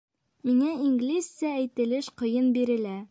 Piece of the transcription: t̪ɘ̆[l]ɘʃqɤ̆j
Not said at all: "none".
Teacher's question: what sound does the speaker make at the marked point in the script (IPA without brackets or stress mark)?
l